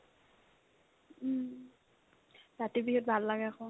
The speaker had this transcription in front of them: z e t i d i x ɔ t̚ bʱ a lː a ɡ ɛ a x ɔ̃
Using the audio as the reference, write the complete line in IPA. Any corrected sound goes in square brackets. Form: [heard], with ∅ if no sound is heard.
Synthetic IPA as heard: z [a] t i [b] i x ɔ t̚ bʱ a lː a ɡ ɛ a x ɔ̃